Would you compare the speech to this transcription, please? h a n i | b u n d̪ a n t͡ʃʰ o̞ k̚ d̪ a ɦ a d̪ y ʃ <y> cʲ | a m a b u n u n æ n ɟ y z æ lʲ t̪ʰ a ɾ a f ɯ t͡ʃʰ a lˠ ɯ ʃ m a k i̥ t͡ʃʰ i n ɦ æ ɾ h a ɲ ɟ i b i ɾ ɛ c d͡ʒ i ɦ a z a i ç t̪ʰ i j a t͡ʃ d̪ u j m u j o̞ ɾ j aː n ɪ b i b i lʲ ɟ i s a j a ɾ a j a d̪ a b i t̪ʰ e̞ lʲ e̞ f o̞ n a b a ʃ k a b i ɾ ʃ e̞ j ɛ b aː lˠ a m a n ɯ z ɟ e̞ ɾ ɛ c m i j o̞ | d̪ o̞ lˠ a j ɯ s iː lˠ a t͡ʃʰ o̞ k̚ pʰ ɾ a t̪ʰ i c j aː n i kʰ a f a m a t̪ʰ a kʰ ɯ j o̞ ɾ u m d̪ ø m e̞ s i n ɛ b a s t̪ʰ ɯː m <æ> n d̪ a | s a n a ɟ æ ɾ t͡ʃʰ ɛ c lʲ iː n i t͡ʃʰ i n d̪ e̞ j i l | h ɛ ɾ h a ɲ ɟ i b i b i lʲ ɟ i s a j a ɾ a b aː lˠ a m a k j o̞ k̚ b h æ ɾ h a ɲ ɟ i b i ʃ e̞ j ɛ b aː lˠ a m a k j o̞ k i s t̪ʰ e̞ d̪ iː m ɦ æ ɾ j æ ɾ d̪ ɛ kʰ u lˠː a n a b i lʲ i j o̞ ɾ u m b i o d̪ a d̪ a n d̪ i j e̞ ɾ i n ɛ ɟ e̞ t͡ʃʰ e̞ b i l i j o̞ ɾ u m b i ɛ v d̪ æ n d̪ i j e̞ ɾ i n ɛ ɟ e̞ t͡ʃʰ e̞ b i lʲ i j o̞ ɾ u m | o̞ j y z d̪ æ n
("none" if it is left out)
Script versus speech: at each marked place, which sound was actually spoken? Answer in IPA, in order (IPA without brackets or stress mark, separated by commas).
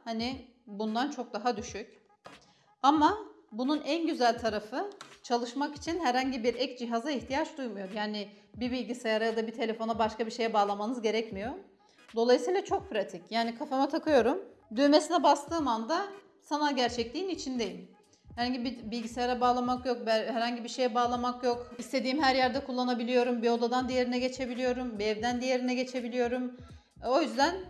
y, a